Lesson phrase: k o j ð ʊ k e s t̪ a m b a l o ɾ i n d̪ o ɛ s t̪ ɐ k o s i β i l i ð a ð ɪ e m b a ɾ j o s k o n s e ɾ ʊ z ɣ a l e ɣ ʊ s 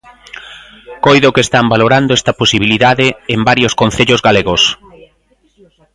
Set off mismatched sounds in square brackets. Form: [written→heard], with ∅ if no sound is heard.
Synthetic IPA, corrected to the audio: k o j ð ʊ k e s t̪ a m b a l o ɾ [i→a] n d̪ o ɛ s t̪ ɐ [k→p] o s i β i l i ð a ð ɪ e m b a ɾ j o s k o n [s→θ] e [ɾ→ʎ] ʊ z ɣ a l e ɣ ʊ s